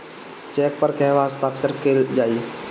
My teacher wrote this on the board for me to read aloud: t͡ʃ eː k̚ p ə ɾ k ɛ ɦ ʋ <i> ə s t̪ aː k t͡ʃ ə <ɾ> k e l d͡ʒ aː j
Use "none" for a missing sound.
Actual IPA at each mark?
a, ɾ

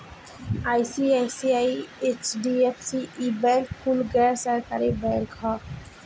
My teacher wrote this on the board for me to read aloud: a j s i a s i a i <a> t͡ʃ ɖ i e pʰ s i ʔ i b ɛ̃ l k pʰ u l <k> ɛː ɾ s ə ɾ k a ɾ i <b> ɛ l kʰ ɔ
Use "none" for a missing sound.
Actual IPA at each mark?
e, ɡ, b

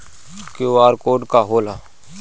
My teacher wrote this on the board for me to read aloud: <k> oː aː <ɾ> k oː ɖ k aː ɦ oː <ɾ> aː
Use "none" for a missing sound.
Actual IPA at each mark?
k, ɾ, l

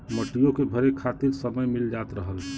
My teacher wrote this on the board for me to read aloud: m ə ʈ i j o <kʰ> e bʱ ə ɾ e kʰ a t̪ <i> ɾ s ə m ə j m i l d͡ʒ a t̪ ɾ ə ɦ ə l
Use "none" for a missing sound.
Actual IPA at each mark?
k, i

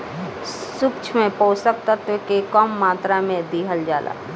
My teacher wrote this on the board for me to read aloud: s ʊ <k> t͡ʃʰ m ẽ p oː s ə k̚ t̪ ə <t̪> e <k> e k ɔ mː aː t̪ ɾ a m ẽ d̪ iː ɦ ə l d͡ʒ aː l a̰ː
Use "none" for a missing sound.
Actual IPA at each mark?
k, t̪, k

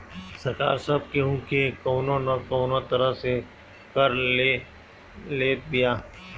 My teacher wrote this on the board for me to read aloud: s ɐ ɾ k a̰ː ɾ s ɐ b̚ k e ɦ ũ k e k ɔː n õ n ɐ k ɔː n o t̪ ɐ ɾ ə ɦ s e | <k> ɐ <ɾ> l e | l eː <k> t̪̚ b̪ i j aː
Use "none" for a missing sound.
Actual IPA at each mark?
k, ɾ, none

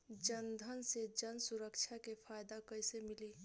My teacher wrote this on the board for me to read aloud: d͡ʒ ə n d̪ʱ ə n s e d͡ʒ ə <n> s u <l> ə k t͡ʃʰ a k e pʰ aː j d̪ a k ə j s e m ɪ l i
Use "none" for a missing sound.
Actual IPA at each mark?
n, ɾ

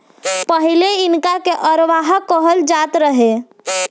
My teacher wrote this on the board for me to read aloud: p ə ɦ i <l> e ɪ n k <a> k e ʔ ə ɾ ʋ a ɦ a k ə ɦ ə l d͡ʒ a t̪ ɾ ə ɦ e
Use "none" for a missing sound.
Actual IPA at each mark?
l, a

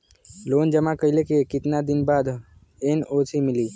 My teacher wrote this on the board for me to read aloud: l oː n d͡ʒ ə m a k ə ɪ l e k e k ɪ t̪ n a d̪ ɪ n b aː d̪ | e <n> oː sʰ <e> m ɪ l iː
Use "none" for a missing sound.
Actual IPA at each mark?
n, i

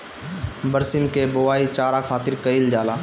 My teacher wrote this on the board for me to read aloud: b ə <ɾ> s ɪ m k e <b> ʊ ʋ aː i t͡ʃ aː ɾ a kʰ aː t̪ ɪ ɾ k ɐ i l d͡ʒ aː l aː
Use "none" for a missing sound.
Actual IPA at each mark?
ɾ, b

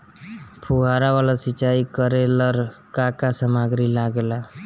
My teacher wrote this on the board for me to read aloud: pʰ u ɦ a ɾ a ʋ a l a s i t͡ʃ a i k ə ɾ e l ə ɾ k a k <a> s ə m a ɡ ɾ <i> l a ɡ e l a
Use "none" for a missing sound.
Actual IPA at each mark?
a, i

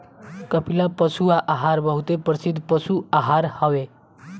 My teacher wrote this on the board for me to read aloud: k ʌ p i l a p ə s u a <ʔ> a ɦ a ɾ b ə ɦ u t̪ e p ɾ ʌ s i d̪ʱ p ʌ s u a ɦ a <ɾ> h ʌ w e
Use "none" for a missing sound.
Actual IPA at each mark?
ʔ, ɾ

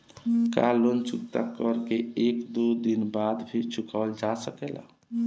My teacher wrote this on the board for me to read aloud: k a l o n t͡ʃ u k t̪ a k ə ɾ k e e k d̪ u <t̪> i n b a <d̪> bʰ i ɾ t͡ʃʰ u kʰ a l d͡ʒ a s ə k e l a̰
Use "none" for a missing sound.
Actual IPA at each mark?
d̪, d̪

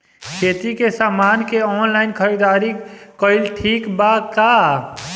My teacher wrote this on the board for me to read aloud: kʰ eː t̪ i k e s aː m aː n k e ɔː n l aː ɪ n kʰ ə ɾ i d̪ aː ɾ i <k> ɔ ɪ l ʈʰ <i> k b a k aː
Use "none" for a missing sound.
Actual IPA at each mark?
k, iː

